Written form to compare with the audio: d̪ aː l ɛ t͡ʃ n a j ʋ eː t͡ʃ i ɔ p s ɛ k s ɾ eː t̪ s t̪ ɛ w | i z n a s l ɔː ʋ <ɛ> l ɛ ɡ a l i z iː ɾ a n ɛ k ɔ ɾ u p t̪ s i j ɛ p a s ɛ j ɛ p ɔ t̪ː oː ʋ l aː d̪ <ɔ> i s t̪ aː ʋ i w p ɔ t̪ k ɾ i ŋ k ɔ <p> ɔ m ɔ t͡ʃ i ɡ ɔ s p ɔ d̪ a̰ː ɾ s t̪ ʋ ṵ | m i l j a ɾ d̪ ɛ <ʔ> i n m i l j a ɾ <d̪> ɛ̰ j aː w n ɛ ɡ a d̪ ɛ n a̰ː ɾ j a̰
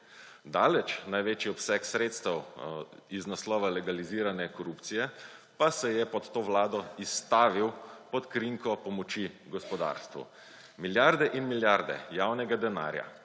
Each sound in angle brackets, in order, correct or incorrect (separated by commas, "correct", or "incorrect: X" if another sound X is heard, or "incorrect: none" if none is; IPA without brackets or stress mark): incorrect: a, correct, correct, correct, correct